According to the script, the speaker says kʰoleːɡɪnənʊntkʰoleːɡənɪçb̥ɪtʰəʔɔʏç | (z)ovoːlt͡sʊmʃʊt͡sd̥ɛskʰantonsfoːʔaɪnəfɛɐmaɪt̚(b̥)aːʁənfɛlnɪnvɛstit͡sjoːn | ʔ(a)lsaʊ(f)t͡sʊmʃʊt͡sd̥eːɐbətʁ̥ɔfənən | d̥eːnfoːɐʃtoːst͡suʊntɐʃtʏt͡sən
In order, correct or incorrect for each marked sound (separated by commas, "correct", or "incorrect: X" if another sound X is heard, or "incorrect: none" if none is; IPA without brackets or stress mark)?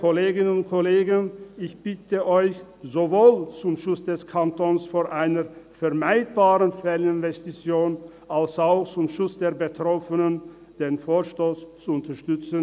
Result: correct, correct, correct, incorrect: x